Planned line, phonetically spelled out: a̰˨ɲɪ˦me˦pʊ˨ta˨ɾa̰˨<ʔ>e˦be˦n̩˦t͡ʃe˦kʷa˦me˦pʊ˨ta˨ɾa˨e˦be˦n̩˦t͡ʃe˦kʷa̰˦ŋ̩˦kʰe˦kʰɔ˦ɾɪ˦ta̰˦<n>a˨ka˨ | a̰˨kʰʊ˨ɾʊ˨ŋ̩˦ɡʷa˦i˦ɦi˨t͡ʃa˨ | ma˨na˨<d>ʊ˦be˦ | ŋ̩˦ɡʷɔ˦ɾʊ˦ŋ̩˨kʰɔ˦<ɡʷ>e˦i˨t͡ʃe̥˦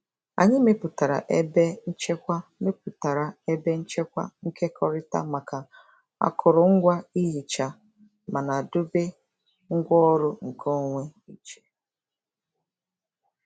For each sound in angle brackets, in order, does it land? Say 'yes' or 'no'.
yes, no, yes, no

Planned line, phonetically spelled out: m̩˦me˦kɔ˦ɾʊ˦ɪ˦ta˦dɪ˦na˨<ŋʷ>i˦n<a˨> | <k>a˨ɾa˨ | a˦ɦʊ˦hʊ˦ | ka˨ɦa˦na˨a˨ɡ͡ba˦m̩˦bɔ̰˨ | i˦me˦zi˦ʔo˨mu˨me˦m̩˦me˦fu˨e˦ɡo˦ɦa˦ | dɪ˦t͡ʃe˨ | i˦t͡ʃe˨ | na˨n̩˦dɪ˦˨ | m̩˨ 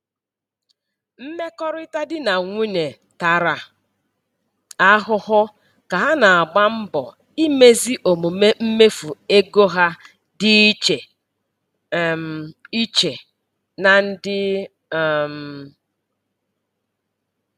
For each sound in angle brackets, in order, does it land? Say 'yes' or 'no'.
yes, no, no

